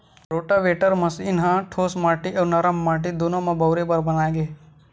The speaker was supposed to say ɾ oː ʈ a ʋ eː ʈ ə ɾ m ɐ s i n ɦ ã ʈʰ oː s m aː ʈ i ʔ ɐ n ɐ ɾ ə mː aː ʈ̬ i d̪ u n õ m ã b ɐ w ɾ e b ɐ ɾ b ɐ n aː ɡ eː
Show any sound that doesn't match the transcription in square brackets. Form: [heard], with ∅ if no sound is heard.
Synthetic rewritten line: ɾ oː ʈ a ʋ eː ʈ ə ɾ m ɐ s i n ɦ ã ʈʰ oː s m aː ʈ i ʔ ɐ n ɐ ɾ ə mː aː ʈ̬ i d̪ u n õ m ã b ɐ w ɾ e b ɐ ɾ b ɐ n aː ɡ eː

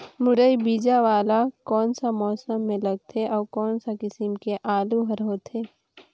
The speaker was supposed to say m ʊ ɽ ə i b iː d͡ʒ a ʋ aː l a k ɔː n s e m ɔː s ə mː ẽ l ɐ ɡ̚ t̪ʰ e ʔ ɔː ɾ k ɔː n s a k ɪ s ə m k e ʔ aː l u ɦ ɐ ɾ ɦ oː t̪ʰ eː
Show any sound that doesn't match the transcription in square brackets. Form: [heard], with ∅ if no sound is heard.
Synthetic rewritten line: m ʊ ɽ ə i b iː d͡ʒ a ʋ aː l a k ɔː n s [a] m ɔː s ə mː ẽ l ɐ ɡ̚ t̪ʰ e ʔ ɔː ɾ k ɔː n s a k ɪ s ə m k e ʔ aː l u ɦ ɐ ɾ ɦ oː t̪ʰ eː

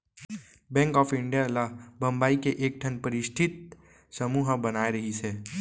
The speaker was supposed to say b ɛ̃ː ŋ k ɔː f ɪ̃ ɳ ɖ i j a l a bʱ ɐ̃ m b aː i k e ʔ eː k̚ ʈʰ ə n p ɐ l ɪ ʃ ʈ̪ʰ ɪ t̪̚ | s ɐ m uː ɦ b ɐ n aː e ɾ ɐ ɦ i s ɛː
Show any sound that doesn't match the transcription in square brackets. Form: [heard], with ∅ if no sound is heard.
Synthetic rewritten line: b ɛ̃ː ŋ k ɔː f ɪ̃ ɳ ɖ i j a l a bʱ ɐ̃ m b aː i k e ʔ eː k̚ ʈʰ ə n p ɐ [ɾ] ɪ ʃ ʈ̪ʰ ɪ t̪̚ | s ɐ m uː ɦ b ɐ n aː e ɾ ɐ ɦ i s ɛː

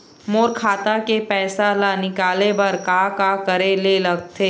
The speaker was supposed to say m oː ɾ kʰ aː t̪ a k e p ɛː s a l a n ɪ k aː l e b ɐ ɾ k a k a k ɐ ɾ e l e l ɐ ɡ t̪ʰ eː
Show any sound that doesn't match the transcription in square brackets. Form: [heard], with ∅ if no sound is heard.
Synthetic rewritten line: m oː ɾ kʰ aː t̪ a k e p ɛː s a l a n ɪ k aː l e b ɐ ɾ k a k a k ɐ ɾ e l e l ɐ ɡ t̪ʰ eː

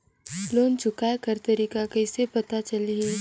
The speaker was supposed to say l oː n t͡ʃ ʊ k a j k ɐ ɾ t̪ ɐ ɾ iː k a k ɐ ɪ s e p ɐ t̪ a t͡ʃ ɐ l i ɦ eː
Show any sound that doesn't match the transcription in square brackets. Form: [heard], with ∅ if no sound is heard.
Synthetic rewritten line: l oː n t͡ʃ ʊ k a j k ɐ ɾ t̪ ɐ ɾ iː k a k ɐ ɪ s e p ɐ t̪ a t͡ʃ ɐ l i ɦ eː

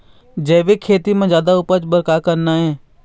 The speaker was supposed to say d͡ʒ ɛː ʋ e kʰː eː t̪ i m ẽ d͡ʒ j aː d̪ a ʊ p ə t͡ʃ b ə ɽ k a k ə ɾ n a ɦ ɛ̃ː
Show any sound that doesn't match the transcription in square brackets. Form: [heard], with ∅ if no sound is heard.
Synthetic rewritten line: d͡ʒ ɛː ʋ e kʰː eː t̪ i m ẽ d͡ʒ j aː d̪ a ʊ p ə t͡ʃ b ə [ɾ] k a k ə ɾ n a ɦ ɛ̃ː

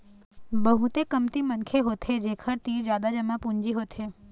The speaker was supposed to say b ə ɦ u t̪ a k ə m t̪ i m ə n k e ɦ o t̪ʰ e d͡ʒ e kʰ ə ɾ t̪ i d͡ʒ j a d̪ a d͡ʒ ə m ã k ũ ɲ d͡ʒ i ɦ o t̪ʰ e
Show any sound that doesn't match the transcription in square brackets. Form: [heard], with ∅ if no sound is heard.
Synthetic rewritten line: b ə ɦ u t̪ [e] k ə m t̪ i m ə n [kʰ] e ɦ o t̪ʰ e d͡ʒ e kʰ ə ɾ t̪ i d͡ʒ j a d̪ a d͡ʒ ə m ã [p] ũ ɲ d͡ʒ i ɦ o t̪ʰ e

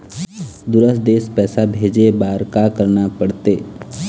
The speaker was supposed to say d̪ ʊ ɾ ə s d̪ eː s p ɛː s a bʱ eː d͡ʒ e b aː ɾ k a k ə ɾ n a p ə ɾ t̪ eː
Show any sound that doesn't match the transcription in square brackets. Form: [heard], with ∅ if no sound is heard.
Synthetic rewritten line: d̪ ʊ ɾ ə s d̪ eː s p ɛː s a bʱ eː d͡ʒ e b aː ɾ k a k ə ɾ n a p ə [ɽ] t̪ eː

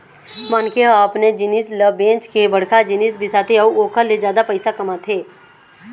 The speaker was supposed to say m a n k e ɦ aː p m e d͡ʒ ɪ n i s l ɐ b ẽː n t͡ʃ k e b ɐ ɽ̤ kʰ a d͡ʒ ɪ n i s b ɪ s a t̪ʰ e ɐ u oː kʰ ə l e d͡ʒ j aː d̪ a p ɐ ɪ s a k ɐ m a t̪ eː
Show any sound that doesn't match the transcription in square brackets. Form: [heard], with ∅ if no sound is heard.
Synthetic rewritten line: m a n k e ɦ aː p [n] e d͡ʒ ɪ n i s l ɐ b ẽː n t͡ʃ k e b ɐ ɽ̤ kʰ a d͡ʒ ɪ n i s b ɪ s a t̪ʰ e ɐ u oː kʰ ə l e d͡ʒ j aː d̪ a p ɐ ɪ s a k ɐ m a [t̪ʰ] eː

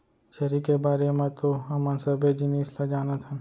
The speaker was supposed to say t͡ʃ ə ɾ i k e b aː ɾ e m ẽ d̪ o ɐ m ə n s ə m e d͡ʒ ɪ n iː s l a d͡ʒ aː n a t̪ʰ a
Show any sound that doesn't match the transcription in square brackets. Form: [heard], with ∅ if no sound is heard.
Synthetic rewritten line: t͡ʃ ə ɾ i k e b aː ɾ e m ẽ [t̪] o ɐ m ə n s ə [b] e d͡ʒ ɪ n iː s l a d͡ʒ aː n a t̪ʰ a

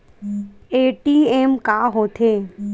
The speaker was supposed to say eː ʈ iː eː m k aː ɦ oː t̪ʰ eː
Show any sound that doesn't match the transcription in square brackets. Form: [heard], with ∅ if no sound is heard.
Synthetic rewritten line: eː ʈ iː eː m k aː ɦ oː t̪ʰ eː

